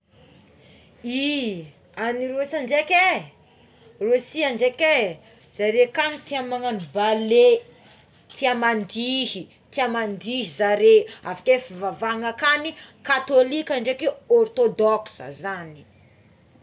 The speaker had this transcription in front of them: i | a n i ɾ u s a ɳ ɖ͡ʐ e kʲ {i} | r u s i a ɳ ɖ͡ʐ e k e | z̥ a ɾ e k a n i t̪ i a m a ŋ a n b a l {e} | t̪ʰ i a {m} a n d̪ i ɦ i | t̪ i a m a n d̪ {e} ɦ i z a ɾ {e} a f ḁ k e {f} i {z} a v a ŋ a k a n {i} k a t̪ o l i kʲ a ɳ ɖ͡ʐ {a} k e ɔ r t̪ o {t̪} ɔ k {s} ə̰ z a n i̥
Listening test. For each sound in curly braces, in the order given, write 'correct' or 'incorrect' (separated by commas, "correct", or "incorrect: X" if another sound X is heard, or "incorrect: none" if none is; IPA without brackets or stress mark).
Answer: incorrect: e, correct, correct, incorrect: i, correct, correct, incorrect: v, correct, incorrect: e, incorrect: d̪, correct